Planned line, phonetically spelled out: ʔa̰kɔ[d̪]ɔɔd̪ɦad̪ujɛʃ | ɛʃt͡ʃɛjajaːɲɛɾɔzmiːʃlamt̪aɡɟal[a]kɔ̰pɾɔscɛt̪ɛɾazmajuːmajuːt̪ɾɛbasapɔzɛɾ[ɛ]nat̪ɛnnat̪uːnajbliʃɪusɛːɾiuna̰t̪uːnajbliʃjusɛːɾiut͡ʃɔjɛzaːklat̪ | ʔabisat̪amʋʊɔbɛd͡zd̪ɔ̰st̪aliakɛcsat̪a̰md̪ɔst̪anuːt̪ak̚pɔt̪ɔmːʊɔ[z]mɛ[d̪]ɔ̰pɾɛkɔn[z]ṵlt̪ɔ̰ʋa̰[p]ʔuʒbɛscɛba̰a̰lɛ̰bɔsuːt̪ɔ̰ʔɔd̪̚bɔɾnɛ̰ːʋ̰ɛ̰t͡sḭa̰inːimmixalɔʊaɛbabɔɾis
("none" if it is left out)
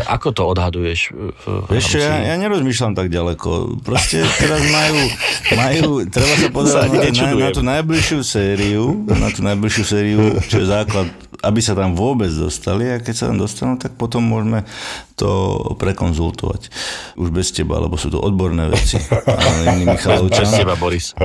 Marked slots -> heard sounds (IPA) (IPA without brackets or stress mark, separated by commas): t̪, ɛ, a, ʒ, t̪, z, c